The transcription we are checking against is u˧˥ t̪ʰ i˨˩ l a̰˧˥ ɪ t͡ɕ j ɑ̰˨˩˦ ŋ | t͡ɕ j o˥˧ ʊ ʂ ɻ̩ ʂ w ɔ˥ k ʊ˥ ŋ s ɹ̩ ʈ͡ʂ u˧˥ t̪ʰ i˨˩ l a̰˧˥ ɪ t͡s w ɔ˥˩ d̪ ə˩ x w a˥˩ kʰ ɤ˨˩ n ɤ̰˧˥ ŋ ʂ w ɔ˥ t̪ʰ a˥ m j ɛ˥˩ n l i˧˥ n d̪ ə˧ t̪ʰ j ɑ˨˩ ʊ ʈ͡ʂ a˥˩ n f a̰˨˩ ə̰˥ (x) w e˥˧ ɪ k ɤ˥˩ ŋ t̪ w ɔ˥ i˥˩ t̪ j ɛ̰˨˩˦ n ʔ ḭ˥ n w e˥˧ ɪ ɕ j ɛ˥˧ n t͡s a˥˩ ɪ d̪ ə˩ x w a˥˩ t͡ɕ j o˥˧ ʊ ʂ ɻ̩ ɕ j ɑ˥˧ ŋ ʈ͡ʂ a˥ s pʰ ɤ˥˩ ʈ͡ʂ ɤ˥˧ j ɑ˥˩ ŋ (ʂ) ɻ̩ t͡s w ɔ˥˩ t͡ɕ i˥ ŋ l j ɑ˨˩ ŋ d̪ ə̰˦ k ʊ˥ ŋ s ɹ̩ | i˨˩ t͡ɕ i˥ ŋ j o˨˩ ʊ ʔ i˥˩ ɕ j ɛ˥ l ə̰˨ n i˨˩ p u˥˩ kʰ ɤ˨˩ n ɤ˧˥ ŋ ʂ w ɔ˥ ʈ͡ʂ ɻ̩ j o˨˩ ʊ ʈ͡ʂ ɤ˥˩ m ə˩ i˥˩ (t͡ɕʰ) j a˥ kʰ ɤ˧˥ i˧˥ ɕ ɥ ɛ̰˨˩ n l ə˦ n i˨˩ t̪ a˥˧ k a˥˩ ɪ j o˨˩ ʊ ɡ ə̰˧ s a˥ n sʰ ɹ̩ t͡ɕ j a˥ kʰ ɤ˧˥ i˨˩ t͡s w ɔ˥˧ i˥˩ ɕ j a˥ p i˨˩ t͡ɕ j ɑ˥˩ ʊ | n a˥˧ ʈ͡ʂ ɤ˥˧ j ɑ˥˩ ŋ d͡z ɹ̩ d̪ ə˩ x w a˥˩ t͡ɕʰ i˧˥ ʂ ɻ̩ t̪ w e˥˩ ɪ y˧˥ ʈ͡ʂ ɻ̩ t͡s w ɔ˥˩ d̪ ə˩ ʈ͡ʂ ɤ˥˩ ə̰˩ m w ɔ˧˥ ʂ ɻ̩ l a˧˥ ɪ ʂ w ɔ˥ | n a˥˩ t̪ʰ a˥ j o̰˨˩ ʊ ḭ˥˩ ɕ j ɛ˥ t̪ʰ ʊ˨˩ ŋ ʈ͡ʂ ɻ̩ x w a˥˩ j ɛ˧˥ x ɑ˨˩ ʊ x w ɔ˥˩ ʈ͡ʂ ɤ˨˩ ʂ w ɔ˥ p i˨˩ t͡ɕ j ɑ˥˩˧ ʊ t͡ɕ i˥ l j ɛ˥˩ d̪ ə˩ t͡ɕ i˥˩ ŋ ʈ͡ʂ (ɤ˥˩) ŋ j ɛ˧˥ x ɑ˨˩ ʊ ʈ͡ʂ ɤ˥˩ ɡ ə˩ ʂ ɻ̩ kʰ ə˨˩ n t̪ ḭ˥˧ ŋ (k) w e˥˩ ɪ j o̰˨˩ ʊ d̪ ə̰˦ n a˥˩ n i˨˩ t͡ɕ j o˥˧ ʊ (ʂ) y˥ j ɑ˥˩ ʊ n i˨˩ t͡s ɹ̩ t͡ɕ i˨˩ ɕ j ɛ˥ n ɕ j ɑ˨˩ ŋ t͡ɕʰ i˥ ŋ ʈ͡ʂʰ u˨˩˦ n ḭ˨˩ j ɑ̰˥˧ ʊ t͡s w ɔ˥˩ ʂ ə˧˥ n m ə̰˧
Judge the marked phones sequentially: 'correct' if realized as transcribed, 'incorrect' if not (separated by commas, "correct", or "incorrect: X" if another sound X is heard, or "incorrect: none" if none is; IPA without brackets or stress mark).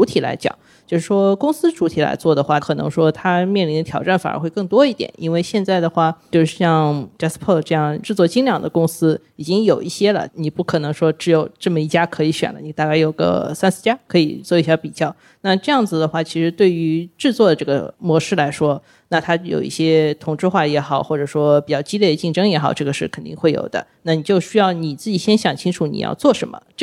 correct, incorrect: ʈ͡ʂ, incorrect: t͡ɕ, incorrect: ɤ˥, incorrect: x, incorrect: ɕ